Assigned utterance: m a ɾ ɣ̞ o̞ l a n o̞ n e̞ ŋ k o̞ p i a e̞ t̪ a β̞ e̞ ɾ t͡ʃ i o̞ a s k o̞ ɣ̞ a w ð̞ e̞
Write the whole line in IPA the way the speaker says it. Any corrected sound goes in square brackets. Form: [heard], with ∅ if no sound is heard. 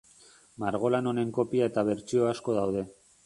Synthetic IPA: m a ɾ ɣ̞ o̞ l a n o̞ n e̞ ŋ k o̞ p i a e̞ t̪ a β̞ e̞ ɾ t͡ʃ i o̞ a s k o̞ [ð̞] a w ð̞ e̞